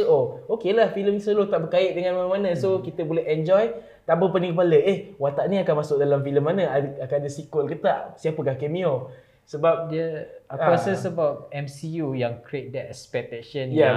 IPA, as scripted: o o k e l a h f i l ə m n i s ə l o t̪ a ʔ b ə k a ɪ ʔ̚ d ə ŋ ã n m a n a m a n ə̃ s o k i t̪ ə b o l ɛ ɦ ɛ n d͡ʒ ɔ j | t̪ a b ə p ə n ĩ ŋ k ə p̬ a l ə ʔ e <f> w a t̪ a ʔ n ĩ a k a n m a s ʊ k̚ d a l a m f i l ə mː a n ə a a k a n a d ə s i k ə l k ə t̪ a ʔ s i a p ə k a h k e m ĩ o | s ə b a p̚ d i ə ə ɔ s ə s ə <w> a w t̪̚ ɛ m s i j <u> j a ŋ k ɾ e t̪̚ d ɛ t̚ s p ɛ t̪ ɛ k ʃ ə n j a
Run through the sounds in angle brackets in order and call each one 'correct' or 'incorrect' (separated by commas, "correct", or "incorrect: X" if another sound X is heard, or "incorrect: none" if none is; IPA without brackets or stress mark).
incorrect: h, incorrect: b, correct